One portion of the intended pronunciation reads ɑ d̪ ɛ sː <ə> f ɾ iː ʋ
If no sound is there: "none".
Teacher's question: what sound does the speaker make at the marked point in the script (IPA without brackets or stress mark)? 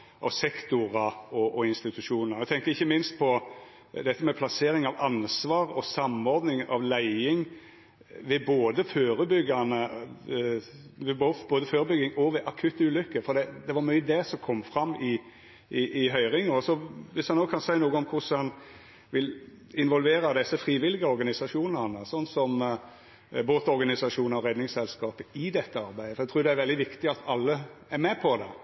ə